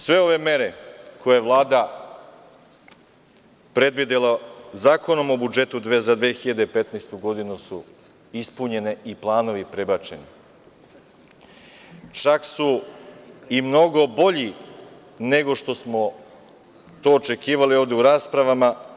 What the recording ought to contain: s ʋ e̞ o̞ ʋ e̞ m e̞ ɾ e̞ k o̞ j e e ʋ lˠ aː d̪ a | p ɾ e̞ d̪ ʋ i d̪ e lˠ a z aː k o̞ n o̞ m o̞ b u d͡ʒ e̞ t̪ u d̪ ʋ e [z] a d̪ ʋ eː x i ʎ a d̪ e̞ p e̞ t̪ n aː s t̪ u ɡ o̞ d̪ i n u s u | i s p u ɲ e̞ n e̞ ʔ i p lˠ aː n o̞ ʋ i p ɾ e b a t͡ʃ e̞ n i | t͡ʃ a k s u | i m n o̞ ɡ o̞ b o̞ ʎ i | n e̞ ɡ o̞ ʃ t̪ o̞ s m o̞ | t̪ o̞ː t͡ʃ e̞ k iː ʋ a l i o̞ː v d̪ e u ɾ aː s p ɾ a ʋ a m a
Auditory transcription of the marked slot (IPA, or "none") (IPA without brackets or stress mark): z